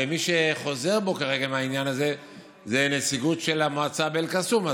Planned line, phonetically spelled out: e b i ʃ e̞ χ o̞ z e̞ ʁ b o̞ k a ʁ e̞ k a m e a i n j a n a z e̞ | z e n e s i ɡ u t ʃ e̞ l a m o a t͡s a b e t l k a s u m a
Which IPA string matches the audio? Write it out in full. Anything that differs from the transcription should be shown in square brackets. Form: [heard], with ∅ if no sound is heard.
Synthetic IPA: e [m] i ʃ e̞ χ o̞ z e̞ ʁ b o̞ k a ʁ e̞ [ɡ] a m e a i n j a n a z e̞ | z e n e s i ɡ u t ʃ e̞ l a m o a t͡s a b e [∅] l k a s u m a